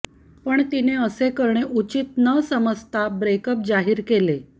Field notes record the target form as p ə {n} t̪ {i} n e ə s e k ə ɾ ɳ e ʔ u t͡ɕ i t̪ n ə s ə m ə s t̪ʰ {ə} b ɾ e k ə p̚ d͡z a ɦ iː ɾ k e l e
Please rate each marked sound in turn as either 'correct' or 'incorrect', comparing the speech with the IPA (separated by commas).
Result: incorrect, correct, incorrect